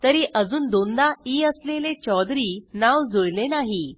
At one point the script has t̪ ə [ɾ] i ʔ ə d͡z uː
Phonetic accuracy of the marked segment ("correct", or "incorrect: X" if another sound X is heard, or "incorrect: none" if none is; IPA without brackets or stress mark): correct